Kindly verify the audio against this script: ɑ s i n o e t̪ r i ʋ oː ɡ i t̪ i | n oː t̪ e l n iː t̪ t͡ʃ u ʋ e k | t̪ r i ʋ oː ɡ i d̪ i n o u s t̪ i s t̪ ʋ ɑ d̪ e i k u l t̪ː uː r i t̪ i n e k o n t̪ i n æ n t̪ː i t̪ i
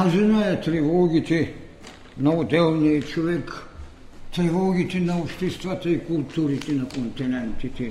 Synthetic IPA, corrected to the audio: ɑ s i n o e t̪ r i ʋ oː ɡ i t̪ i | n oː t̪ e l n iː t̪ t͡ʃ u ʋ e k | t̪ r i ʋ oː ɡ i t̪ i n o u s t̪ i s t̪ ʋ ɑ t̪ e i k u l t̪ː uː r i t̪ i n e k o n t̪ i n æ n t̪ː i t̪ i